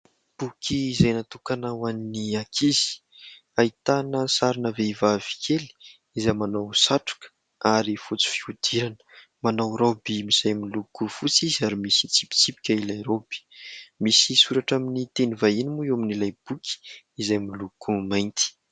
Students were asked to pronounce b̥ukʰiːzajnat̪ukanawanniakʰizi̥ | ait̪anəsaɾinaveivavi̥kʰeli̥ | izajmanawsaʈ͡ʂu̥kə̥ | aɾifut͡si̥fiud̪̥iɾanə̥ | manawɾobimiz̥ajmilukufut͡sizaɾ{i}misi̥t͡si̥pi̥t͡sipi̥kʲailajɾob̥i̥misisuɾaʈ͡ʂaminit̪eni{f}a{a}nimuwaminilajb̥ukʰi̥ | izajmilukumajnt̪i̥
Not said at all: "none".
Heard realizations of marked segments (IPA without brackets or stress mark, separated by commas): i, v, i